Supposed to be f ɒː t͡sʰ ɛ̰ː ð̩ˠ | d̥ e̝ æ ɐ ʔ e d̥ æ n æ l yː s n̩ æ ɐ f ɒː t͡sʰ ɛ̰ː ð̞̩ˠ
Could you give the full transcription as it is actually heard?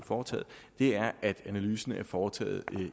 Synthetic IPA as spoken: f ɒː t͡sʰ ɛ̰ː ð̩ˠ | d̥ e̝ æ ɐ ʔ æ d̥ æ n æ l yː s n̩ æ ɐ f ɒː t͡sʰ ɛ̰ː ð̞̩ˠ

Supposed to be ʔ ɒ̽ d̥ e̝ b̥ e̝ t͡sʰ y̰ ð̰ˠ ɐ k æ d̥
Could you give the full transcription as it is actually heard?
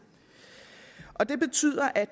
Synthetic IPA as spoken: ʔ ɒ̽ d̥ e̝ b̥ e̝ t͡sʰ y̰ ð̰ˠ ɐ ʔ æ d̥

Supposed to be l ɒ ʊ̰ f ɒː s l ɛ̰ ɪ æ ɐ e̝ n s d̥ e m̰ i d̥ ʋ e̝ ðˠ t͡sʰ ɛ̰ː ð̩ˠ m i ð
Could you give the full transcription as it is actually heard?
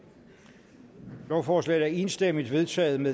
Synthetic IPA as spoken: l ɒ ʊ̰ f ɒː s l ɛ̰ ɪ æ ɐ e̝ n s d̥ e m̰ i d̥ ʋ e̝ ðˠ t͡sʰ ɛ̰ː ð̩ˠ m e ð

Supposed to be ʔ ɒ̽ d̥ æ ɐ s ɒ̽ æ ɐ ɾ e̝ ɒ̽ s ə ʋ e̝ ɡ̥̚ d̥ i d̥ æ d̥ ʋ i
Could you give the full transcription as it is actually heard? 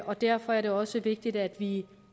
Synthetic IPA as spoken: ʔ ɒ̽ d̥ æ ɐ f ɒ̽ æ ɐ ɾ e̝ ɒ̽ s ə ʋ e̝ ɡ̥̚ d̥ i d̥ æ d̥ ʋ i

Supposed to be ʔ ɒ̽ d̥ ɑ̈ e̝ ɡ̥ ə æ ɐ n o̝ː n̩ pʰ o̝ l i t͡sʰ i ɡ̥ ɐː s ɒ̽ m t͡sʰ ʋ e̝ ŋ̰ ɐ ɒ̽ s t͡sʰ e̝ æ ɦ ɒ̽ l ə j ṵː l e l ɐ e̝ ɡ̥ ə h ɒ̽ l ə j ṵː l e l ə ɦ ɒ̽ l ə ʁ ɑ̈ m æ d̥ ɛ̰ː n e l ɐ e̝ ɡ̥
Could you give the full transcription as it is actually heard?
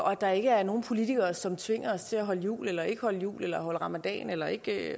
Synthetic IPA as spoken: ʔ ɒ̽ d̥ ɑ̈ e̝ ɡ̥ ə æ ɐ n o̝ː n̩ pʰ o̝ l i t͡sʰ i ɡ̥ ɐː s ɒ̽ m t͡sʰ ʋ e̝ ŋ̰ ɐ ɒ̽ s t͡sʰ e̝ æ ɦ ɒ̽ l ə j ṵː l e l ɐ e̝ ɡ̥ ə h ɒ̽ l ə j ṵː l e l ɐ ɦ ɒ̽ l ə ʁ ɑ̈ m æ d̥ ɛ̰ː n e l ɐ e̝ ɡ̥

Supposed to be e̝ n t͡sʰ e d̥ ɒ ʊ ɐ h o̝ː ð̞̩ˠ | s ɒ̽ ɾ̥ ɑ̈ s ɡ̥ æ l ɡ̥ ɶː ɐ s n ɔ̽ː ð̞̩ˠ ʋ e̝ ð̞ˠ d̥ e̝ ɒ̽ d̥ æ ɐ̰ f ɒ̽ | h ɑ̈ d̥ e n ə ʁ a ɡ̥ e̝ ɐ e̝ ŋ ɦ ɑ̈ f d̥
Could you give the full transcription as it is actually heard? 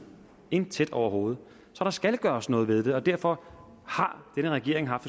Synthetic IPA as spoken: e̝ n t͡sʰ e d̥ ɒ ʊ ɐ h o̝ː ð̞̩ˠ | s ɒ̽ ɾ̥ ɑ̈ s ɡ̥ æ l ɡ̥ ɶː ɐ s n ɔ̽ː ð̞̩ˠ ʋ e̝ ð̞ˠ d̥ e̝ ɒ̽ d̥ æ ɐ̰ f ɒ̽ | h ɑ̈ d̥ e n ə ʁ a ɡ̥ e̝ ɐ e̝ ŋ ɦ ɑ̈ f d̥

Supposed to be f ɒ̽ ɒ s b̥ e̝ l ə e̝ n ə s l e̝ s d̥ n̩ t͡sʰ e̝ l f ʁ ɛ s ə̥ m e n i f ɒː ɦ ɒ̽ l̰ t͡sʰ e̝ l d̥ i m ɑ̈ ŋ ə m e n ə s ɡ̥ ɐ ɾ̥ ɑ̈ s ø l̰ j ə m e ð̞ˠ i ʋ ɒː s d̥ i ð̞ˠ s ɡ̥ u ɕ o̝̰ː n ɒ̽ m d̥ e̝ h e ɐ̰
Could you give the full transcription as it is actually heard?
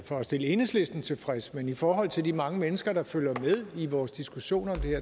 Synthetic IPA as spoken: f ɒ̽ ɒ s d̥ e̝ l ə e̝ n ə s l e̝ s d̥ n̩ t͡sʰ e̝ l f ʁ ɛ s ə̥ m e n i f ɒː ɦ ɒ̽ l̰ t͡sʰ e̝ l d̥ i m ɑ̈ ŋ ə m e n ə s ɡ̥ ɐ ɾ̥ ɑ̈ f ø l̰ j ɐ m e ð̞ˠ i ʋ ɒː s d̥ i s ɡ̥ u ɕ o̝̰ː n ɒ̽ m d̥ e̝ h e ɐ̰

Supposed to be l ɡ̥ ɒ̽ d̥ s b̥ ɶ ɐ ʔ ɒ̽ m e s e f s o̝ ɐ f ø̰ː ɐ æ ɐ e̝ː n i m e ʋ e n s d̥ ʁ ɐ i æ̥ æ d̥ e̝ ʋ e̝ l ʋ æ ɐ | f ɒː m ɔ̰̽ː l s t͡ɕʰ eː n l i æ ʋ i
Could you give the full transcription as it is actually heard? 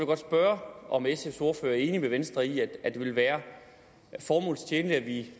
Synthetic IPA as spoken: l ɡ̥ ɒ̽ d̥ s b̥ ɶ ɐ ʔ ɒ̽ m e s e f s o̝ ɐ f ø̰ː ɐ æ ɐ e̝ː n i m e ʋ e n s d̥ ʁ ɐ i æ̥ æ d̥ e̝ ʋ e̝ l ʋ æː ɐ | f ɒː m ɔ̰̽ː l s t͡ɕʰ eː n l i æ ʋ i

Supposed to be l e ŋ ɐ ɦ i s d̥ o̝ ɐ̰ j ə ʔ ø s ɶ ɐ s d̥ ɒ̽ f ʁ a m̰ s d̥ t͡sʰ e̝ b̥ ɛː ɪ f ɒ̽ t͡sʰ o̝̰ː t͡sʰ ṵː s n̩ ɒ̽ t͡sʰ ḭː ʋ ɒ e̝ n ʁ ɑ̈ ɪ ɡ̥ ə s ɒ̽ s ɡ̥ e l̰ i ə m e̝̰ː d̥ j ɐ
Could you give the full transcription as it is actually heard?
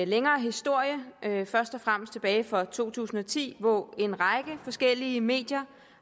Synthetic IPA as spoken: l e ŋ ɐː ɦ i s d̥ o̝ ɐ̰ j ə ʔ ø f ɶ ɐ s d̥ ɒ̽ f ʁ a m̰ s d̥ t͡sʰ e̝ b̥ ɛː ɪ f ɒ̽ t͡sʰ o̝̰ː t͡sʰ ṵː s n̩ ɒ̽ t͡sʰ ḭː ʋ ɒ e̝ n ʁ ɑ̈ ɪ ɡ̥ ə f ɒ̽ s ɡ̥ e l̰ i ə m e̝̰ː d̥ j ɐ

